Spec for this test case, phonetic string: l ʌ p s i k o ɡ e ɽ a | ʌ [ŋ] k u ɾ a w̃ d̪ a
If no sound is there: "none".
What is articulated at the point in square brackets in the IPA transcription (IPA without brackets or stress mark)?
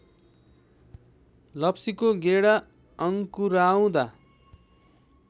ŋ